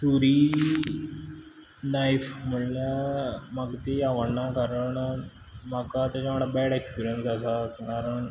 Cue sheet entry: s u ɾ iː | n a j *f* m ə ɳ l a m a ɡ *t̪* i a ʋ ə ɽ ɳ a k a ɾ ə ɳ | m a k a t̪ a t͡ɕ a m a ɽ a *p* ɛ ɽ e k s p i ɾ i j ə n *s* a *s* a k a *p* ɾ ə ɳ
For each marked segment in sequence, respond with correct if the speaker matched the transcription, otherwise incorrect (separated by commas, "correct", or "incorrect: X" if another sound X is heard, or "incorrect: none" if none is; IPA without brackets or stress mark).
correct, correct, incorrect: b, correct, correct, incorrect: none